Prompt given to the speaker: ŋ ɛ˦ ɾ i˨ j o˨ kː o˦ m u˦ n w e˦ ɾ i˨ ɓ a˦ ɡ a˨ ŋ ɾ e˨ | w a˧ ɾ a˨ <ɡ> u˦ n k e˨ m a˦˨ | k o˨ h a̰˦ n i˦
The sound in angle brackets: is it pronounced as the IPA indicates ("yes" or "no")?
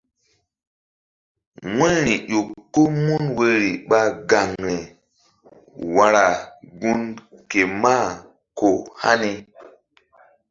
yes